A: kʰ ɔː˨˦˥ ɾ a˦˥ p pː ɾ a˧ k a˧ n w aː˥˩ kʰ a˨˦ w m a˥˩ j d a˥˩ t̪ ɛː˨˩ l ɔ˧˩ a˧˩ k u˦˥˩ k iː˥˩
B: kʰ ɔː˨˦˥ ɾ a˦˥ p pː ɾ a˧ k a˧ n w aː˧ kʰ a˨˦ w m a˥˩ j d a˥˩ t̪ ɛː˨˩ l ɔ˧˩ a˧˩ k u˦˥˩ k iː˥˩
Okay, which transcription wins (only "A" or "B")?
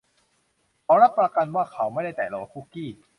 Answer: A